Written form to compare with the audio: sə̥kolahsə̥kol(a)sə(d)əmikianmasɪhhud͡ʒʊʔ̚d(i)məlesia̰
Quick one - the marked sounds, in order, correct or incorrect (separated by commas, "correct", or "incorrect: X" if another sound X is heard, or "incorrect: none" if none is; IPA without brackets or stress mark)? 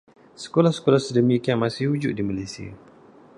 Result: correct, correct, correct